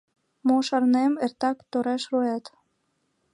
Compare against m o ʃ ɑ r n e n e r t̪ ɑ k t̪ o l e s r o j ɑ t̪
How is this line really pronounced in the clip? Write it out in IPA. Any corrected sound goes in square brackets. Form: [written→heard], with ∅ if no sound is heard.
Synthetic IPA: m o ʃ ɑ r n e [n→m] e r t̪ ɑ k t̪ o [l→ɾ] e [s→ʃ] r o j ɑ t̪